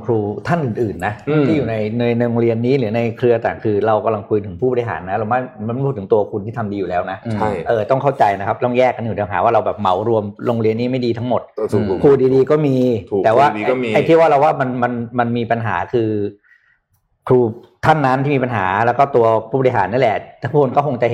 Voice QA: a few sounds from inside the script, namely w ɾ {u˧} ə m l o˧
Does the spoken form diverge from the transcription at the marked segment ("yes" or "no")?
no